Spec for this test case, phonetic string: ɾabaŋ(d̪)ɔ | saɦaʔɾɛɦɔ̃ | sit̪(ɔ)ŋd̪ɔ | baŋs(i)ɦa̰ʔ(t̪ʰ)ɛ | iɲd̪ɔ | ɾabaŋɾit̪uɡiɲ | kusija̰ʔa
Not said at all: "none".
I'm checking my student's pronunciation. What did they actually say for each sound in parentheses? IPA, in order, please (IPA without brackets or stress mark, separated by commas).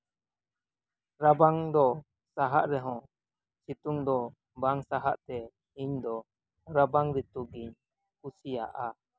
d̪, u, a, t̪